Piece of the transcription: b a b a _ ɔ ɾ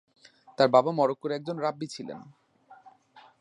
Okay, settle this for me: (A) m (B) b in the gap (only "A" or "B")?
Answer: A